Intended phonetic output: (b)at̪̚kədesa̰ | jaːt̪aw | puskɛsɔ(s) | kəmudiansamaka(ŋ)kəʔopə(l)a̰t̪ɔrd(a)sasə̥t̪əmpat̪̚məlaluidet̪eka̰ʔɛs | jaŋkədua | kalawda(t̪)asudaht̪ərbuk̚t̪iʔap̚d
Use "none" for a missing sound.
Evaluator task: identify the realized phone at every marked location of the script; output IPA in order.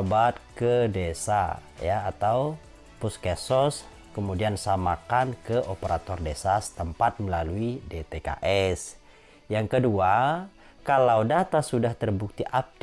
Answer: b, s, n, ɾ, e, t̪

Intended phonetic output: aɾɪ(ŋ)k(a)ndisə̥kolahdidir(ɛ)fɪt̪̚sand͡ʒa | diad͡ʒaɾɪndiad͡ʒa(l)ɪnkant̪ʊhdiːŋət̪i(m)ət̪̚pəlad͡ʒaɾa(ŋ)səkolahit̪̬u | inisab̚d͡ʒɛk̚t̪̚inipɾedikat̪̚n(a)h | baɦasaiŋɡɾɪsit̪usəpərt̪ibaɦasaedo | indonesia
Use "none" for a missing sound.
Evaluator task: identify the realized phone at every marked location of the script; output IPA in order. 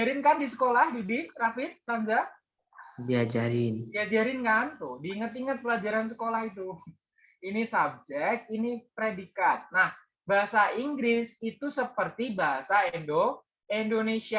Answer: n, a, a, ɾ, ŋ, n, a

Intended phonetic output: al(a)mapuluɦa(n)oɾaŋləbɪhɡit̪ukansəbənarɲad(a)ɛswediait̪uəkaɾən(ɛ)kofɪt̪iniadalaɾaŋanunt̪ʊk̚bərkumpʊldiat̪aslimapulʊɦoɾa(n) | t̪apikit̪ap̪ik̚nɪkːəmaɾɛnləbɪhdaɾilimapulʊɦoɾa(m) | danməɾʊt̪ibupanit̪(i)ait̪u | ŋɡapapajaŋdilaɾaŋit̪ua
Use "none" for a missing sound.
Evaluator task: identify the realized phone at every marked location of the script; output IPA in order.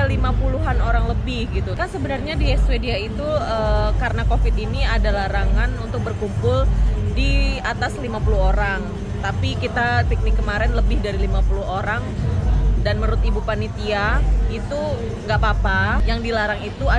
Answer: i, n, i, a, ŋ, ŋ, i

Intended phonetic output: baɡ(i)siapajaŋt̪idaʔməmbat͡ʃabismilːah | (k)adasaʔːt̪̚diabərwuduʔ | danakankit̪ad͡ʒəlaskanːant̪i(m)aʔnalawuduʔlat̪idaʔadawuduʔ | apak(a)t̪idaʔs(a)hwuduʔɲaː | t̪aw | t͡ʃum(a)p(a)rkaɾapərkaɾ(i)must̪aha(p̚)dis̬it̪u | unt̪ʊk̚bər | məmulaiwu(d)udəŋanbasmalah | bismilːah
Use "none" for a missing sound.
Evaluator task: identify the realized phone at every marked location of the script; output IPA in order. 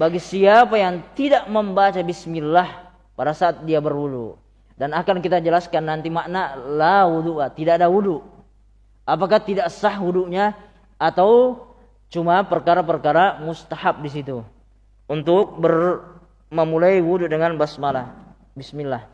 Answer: i, p, m, a, a, a, ə, a, p̚, d

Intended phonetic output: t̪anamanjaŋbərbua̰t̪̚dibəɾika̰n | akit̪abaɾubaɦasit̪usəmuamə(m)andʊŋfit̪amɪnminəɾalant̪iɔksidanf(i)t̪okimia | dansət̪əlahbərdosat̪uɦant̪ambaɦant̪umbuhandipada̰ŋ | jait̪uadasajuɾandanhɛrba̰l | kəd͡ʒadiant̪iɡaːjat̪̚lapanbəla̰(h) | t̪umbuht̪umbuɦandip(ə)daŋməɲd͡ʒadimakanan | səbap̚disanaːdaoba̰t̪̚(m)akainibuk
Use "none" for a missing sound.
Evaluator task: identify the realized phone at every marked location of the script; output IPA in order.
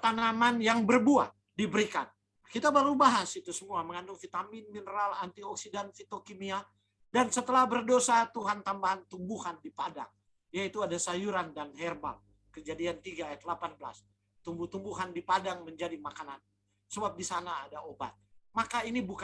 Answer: ŋ, i, s, a, m

